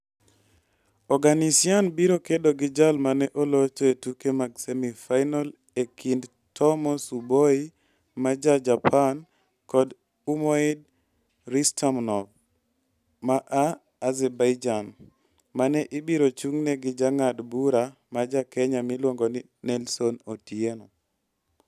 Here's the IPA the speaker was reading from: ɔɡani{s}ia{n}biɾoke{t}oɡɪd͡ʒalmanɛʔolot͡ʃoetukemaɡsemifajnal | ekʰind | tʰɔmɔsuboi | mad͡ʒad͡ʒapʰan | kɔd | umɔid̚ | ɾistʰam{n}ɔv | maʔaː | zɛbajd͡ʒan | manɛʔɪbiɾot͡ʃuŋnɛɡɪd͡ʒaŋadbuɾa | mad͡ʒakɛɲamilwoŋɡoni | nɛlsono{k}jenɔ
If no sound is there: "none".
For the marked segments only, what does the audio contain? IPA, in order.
s, n, d, n, t

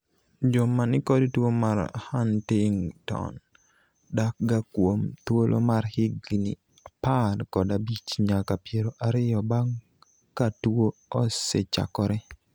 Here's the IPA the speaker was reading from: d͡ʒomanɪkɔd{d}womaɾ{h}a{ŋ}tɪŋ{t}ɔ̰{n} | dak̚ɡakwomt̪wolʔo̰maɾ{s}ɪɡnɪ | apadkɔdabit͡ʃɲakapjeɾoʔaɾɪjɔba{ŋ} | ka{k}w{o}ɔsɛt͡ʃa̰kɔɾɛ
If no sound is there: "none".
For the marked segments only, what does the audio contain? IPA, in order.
t, h, n, t, n, h, ŋ, t, o

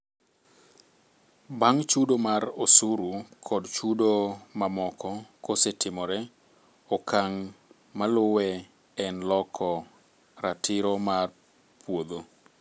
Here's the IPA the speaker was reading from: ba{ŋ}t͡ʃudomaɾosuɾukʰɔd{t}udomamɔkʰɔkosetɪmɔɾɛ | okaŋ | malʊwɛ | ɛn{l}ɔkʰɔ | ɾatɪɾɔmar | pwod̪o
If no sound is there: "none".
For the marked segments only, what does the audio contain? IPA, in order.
ŋ, t͡ʃ, l

